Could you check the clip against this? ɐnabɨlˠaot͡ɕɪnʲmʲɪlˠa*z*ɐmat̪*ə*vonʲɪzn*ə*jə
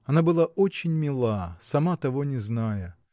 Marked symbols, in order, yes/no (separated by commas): no, no, no